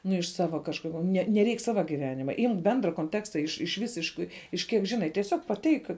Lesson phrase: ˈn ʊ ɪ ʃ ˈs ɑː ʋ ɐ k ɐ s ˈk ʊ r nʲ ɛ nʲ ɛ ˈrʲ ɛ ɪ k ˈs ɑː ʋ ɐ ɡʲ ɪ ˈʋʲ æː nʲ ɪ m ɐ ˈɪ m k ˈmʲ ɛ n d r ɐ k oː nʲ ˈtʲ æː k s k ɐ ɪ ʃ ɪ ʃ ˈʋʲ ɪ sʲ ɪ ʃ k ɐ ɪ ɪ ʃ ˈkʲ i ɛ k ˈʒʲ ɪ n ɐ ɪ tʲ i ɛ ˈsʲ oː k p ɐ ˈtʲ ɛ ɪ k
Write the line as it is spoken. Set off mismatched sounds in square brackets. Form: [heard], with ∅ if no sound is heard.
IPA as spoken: ˈn ʊ ɪ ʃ ˈs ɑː ʋ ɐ k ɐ [ʃ] ˈk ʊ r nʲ ɛ nʲ ɛ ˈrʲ ɛ ɪ k ˈs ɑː ʋ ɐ ɡʲ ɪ ˈʋʲ æː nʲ ɪ m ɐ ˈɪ m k [ˈbʲ] ɛ n d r ɐ k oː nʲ ˈtʲ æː k s [t] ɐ ɪ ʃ ɪ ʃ ˈʋʲ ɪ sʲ ɪ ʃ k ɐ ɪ ɪ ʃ ˈkʲ i ɛ k ˈʒʲ ɪ n ɐ ɪ tʲ i ɛ ˈsʲ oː k p ɐ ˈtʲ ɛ ɪ k